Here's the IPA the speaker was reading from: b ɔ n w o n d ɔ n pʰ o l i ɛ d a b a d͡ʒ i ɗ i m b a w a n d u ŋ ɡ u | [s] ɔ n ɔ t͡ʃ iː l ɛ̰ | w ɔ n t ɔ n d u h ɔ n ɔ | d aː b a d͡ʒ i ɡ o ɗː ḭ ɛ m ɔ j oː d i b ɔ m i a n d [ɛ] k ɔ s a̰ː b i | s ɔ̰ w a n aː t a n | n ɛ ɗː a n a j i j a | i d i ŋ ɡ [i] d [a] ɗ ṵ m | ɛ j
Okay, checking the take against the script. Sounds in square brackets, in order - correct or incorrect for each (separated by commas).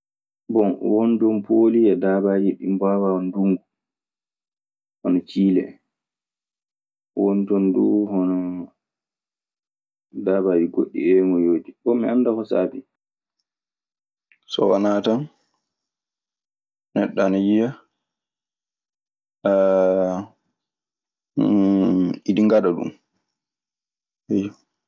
incorrect, incorrect, incorrect, correct